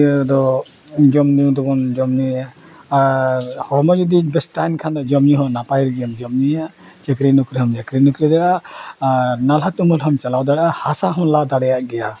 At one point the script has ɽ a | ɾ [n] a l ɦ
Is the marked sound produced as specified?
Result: yes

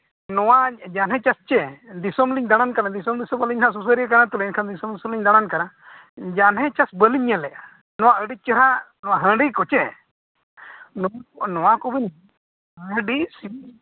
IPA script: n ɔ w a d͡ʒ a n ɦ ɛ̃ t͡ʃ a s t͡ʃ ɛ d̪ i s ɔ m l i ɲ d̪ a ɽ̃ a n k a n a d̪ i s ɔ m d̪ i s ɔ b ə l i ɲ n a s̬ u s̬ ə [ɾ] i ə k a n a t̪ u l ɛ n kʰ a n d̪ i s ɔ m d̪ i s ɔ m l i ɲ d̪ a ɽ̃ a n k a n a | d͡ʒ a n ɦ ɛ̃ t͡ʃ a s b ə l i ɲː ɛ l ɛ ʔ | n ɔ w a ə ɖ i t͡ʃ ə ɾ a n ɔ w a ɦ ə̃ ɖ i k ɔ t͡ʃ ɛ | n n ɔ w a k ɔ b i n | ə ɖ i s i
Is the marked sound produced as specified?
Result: yes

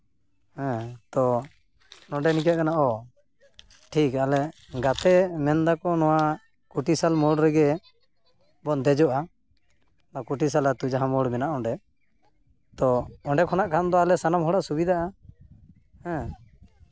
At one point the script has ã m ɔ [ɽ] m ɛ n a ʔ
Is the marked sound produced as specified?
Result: yes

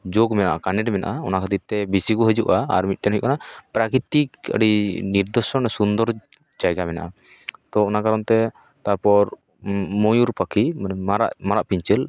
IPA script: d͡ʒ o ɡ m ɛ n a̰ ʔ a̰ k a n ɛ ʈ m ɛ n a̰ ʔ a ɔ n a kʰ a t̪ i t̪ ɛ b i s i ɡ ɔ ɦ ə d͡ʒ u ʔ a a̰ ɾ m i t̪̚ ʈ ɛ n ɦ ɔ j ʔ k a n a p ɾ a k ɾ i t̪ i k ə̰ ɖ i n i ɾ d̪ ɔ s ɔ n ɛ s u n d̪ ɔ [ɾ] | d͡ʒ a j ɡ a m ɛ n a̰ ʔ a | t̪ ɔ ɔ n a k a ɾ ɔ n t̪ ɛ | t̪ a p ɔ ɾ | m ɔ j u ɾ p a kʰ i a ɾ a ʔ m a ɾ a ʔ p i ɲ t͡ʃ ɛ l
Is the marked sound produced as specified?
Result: yes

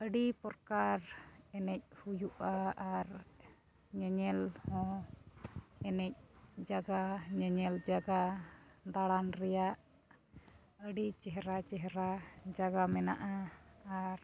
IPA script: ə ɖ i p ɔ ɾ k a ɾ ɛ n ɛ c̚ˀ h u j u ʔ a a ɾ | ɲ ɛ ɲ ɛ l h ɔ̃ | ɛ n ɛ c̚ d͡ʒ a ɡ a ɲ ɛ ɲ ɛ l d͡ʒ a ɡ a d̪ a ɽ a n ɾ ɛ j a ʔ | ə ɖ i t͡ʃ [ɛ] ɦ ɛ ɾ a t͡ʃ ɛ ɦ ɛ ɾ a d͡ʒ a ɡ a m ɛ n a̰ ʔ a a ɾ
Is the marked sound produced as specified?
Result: yes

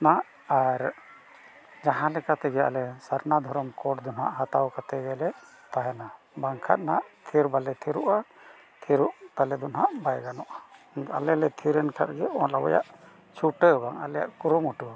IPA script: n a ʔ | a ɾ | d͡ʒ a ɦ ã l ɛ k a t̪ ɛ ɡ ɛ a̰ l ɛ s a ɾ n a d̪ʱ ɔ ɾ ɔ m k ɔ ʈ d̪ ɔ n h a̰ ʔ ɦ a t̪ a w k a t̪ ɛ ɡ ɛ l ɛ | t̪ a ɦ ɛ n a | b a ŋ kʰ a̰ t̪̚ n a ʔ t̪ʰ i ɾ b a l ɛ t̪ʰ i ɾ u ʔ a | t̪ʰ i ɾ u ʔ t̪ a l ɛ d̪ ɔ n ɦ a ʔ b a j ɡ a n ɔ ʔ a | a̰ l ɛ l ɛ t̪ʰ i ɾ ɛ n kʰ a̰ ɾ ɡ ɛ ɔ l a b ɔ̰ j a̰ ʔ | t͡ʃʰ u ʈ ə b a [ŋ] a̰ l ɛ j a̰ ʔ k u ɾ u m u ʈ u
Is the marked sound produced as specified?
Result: yes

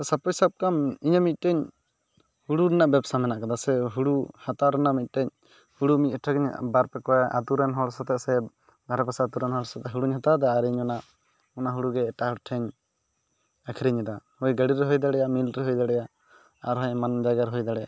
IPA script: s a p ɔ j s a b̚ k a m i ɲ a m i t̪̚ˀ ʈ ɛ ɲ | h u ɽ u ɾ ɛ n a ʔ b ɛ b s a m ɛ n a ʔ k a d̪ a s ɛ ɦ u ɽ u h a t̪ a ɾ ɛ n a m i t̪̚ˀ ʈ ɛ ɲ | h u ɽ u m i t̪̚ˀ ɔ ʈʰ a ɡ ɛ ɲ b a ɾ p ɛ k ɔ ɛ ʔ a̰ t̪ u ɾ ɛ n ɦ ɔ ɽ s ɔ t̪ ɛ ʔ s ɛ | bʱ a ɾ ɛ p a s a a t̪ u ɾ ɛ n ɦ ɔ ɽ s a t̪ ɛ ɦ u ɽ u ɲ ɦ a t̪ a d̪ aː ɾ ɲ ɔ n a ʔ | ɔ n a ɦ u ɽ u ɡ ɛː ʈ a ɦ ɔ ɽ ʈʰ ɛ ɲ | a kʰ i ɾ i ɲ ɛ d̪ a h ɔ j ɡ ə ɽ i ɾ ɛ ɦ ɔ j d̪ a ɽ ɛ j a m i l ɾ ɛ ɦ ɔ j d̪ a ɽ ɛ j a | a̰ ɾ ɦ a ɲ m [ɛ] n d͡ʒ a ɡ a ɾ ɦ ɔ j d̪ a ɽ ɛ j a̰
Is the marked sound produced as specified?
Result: no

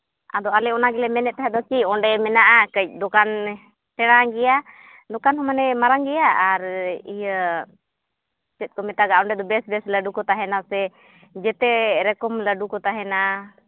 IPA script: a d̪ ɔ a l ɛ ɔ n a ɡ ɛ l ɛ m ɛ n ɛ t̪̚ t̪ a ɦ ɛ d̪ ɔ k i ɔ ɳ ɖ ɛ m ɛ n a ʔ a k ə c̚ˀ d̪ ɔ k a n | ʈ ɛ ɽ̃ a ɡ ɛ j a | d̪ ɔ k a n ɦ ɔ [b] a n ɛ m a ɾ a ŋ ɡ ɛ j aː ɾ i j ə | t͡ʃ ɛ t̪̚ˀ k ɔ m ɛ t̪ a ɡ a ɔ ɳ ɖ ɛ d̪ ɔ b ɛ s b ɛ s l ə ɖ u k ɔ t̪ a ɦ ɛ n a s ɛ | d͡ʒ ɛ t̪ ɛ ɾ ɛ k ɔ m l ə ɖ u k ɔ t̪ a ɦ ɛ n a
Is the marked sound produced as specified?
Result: no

